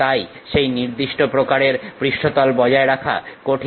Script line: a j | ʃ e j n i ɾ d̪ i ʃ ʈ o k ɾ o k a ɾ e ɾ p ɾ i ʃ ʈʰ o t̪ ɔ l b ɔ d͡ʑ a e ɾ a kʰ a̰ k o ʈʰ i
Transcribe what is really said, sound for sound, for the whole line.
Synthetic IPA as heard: a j | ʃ e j n i ɾ d̪ i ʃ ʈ o p ɾ o k a ɾ e ɾ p ɾ i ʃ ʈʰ o t̪ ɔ l b ɔ d͡ʑ a e ɾ a kʰ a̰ k o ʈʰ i